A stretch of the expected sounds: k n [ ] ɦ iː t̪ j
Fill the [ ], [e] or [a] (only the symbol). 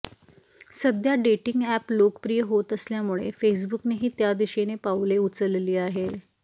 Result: e